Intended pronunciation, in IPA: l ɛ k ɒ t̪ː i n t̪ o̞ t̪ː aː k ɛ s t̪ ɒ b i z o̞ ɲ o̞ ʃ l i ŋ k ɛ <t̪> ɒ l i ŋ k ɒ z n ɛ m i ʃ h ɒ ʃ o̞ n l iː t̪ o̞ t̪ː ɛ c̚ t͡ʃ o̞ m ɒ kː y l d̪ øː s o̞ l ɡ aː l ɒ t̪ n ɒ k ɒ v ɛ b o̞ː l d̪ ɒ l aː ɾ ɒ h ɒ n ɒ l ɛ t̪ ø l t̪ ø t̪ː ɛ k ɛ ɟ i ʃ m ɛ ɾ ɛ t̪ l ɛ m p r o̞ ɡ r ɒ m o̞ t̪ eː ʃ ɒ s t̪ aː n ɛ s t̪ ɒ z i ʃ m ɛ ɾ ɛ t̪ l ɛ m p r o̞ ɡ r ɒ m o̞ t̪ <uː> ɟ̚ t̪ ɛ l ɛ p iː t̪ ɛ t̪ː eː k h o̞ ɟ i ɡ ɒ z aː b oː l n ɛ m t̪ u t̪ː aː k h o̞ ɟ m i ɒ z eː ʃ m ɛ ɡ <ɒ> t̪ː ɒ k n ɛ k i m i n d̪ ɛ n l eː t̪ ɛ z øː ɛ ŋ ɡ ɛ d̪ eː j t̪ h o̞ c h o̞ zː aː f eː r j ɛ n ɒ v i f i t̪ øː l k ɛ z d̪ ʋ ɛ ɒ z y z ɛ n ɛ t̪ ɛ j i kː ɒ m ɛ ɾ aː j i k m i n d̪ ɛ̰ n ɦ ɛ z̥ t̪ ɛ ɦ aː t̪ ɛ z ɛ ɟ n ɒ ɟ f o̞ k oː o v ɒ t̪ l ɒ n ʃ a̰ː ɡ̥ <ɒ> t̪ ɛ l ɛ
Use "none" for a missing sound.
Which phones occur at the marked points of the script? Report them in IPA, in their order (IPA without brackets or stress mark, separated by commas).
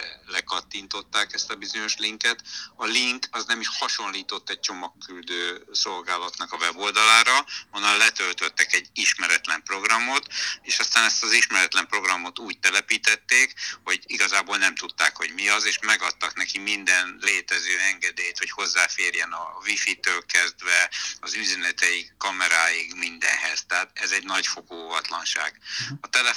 t̪, uː, ɒ, ɒ